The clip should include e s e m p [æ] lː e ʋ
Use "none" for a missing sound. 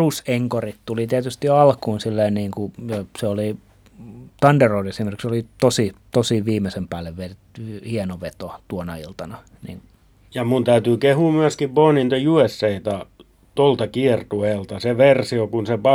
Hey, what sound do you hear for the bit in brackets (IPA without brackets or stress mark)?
æː